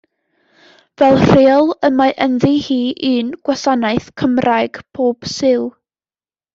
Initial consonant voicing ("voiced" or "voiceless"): voiced